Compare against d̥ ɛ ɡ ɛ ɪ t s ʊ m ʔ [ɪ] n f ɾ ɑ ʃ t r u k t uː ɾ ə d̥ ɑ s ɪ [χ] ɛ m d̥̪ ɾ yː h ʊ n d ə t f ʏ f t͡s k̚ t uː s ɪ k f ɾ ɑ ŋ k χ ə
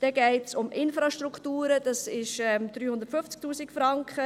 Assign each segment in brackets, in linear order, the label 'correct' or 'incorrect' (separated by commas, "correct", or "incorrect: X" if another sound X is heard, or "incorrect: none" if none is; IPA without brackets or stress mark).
correct, incorrect: ʃ